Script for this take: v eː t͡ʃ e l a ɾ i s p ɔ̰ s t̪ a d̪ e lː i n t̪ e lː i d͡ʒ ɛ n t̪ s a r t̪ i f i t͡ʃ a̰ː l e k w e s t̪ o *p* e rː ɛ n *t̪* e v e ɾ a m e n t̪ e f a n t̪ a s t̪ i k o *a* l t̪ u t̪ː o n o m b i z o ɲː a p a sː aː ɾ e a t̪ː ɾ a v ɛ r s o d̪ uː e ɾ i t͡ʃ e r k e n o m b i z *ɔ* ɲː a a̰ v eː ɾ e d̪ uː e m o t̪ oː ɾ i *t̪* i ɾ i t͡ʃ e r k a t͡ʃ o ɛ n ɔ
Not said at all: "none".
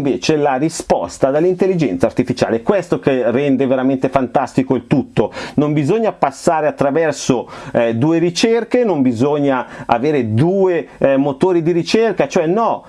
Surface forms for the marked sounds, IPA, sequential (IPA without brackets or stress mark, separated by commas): k, d̪, i, o, d̪